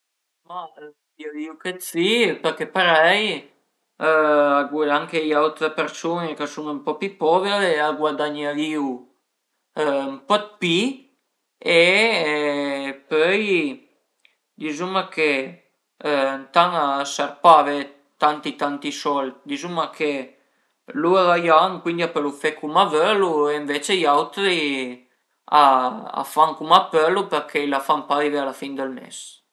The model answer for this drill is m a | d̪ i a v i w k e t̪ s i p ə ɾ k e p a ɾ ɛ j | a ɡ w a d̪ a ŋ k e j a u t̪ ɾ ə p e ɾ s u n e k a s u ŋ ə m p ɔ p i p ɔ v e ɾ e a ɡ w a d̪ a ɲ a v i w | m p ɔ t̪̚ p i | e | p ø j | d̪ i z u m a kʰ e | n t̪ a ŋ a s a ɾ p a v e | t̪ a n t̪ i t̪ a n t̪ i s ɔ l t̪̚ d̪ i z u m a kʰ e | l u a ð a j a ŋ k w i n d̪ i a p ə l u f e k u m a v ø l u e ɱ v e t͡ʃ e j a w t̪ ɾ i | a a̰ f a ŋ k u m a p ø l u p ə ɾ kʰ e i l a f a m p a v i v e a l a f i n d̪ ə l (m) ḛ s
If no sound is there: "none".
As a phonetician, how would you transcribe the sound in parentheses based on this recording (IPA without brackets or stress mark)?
m